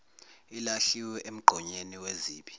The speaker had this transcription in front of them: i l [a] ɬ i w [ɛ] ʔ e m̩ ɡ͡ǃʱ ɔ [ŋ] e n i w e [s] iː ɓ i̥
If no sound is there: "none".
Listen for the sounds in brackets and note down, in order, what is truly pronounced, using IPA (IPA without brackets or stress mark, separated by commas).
a, ɛ, ɲ, z